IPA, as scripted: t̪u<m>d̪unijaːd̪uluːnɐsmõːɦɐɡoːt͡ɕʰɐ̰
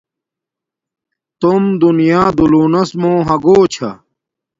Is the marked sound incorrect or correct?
correct